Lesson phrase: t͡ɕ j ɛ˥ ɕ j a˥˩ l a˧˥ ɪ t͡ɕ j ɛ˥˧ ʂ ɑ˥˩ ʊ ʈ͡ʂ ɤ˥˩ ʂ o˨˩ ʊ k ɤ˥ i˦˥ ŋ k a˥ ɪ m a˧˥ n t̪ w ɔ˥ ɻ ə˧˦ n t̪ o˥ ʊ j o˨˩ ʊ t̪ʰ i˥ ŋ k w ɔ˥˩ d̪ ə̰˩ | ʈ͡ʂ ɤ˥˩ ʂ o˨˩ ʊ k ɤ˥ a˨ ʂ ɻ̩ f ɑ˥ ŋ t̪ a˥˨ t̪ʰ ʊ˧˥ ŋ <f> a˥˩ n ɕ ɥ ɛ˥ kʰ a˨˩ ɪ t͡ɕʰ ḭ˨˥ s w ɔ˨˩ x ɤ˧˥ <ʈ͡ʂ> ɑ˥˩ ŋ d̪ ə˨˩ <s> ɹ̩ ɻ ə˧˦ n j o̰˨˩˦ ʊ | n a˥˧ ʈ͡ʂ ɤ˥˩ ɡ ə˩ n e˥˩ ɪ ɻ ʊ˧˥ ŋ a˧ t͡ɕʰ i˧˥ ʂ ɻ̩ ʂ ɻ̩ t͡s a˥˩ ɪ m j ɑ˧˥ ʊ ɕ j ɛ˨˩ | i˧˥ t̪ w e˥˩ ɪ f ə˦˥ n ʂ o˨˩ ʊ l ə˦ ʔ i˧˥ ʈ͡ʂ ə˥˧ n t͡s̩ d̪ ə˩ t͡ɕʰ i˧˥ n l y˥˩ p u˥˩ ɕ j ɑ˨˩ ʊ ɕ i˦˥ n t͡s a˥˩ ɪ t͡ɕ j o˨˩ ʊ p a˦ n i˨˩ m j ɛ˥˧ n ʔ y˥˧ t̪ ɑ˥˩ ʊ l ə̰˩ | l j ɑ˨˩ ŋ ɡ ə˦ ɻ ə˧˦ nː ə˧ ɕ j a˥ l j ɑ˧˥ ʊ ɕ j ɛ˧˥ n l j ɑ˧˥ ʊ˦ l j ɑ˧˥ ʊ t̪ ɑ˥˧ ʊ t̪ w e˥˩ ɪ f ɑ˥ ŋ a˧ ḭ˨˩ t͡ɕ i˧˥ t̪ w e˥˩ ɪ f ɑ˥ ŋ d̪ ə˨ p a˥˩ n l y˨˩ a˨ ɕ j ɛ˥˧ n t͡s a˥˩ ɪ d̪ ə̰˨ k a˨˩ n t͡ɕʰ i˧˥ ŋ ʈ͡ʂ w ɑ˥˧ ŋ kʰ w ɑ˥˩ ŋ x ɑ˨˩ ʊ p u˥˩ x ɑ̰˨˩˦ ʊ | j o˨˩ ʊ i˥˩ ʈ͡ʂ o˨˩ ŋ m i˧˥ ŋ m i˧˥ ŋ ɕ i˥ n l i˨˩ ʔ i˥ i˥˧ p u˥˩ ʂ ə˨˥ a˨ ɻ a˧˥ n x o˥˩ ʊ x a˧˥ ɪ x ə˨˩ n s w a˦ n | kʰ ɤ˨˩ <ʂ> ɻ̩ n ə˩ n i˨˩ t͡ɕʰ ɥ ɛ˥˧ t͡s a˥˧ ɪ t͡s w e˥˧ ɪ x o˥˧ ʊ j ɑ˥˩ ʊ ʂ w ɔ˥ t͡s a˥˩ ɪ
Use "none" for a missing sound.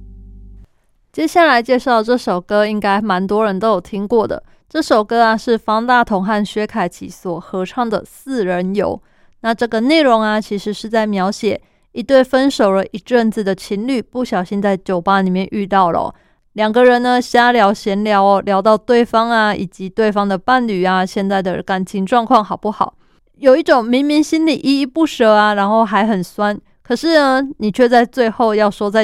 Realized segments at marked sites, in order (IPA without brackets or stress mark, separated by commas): x, ʈ͡ʂʰ, s, ʂ